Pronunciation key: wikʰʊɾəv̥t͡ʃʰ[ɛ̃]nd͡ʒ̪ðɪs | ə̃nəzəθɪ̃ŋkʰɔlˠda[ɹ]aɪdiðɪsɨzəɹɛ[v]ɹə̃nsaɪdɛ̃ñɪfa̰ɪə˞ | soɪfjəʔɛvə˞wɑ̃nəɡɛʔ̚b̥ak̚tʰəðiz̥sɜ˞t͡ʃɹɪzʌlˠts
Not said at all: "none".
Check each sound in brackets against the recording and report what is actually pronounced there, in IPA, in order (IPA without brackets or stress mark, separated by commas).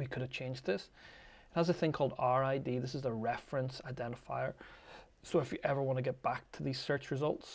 ẽ, ɹ, f